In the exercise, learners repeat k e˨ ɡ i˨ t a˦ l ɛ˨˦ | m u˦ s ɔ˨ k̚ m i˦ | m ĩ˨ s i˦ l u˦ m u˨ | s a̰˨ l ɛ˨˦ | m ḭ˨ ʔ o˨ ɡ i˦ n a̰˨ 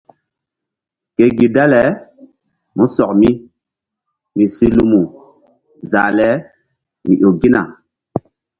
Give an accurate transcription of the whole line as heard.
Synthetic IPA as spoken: k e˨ ɡ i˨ d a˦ l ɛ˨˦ | m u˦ s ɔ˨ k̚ m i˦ | m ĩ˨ s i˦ l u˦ m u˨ | z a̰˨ l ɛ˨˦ | m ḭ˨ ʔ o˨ ɡ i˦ n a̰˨